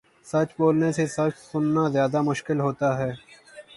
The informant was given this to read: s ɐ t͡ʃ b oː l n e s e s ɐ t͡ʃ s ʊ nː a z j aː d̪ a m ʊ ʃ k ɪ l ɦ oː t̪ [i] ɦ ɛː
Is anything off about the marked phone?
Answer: yes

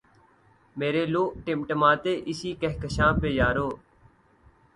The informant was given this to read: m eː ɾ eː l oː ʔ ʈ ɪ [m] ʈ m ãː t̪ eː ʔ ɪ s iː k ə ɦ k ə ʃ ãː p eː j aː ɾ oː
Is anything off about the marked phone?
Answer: no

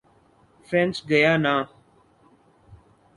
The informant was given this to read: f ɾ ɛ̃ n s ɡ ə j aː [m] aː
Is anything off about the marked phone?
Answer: yes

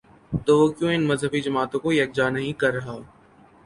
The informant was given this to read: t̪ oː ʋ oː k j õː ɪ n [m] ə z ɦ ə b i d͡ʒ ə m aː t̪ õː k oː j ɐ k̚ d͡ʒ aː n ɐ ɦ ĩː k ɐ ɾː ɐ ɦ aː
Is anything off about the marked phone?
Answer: no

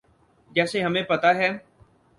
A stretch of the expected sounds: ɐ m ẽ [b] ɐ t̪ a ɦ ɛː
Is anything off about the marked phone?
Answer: yes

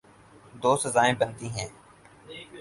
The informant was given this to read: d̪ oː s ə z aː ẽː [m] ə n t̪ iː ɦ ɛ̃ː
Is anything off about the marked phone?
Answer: yes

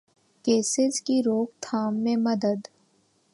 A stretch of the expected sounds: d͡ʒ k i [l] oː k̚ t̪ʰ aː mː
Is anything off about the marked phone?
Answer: yes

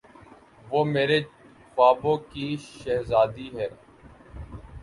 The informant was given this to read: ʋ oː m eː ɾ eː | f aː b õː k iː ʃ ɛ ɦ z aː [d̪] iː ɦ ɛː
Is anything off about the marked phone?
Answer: no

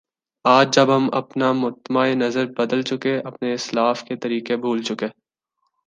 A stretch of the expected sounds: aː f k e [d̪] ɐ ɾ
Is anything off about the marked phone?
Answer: yes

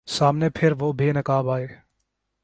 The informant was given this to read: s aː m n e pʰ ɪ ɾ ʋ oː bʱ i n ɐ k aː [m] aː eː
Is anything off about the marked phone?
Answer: yes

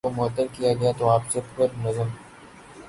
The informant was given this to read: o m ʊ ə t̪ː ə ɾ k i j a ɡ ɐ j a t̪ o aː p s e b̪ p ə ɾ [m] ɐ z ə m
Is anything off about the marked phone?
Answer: yes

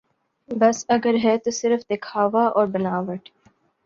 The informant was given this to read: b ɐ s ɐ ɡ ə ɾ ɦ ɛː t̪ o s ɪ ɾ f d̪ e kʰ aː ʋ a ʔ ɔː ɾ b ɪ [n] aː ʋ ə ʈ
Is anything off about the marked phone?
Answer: no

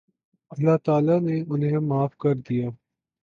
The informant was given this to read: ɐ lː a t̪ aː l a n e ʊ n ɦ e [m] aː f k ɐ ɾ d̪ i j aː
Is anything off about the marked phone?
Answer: no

